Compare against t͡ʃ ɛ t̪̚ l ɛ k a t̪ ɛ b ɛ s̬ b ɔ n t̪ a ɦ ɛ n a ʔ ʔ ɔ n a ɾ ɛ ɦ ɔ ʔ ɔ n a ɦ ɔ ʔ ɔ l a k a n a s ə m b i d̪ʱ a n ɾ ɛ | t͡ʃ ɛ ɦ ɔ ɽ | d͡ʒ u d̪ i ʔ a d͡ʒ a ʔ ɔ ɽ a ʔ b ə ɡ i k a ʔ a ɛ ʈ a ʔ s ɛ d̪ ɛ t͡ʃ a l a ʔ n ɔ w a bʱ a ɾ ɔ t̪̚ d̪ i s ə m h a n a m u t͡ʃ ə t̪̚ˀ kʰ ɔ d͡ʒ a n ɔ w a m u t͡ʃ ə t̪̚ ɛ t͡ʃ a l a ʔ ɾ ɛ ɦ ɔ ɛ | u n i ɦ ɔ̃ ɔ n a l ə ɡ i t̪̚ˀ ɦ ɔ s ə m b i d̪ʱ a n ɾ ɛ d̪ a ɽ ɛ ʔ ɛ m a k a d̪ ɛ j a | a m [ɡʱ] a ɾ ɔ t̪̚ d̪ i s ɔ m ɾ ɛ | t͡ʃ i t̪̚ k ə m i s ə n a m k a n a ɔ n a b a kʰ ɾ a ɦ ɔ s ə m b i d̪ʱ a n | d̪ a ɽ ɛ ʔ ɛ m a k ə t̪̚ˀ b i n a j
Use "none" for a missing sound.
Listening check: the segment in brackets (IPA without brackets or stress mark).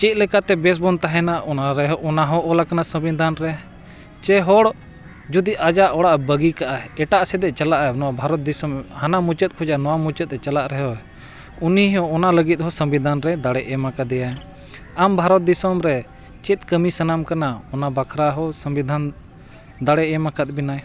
bʱ